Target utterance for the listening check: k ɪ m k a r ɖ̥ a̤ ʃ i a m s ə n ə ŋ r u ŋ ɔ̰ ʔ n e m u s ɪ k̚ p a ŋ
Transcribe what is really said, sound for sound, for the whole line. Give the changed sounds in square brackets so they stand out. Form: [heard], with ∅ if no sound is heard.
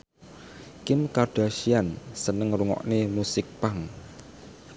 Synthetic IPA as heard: k ɪ m k a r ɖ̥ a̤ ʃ i a [n] s ə n ə ŋ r u ŋ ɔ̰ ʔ n e m u s ɪ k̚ p a ŋ